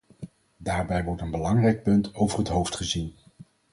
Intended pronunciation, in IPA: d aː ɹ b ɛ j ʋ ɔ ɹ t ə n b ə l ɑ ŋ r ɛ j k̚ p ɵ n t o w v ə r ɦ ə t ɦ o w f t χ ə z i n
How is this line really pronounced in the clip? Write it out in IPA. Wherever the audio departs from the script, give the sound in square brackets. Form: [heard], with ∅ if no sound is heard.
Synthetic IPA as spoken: d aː ɹ b ɛ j ʋ ɔ ɹ t ə n b ə l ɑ ŋ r ɛ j k̚ p ɵ n t o w v ə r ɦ ə t ɦ o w f t χ ə z i n